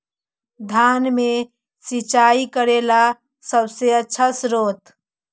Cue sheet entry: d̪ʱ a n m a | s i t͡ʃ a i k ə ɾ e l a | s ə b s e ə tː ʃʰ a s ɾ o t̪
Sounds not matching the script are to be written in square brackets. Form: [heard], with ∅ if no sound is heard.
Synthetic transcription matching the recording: d̪ʱ a n m [e] | s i t͡ʃ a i k ə ɾ e l a | s ə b s e ə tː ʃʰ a s ɾ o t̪